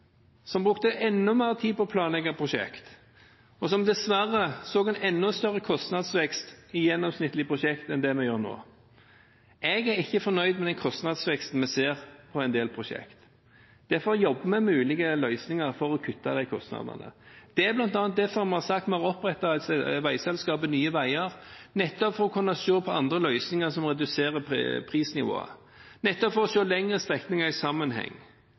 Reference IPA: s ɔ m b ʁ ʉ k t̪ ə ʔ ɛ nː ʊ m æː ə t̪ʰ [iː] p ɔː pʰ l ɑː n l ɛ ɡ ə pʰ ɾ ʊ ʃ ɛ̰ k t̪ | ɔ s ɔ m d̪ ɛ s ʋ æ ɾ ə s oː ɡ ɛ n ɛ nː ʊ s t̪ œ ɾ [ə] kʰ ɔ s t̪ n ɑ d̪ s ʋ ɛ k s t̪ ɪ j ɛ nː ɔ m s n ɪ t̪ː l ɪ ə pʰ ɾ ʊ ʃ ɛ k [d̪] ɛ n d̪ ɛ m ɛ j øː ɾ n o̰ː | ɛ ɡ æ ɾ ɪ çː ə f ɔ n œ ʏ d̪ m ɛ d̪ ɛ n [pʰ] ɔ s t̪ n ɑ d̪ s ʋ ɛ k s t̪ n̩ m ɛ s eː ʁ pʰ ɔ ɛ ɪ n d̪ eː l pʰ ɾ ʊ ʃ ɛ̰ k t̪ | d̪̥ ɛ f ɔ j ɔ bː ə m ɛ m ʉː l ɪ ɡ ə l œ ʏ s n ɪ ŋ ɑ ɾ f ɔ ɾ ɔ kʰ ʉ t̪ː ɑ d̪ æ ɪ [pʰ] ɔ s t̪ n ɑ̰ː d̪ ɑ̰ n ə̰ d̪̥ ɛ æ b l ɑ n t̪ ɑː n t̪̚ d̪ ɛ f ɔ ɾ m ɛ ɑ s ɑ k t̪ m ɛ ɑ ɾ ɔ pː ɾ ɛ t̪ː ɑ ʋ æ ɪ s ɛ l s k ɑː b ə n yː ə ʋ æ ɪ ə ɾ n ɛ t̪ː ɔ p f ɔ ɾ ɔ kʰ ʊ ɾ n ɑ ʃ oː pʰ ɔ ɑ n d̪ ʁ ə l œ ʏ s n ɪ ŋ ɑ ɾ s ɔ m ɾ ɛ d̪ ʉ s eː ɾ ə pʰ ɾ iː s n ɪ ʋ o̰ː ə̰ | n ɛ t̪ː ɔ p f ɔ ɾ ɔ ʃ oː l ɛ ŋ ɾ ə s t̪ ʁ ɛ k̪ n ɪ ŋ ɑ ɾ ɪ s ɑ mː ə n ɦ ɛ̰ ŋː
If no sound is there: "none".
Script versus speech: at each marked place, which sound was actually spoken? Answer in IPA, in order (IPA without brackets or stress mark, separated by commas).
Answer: iː, ə, t̪, kʰ, kʰ